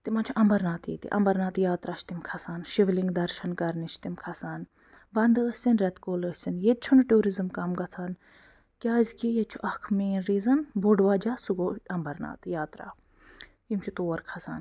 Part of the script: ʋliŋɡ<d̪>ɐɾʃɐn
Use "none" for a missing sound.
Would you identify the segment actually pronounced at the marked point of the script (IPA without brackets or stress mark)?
d̪